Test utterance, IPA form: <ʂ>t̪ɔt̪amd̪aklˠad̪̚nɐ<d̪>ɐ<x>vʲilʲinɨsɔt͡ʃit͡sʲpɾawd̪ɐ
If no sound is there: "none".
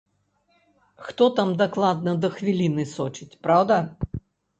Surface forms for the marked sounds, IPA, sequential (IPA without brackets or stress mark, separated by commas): x, d̪, x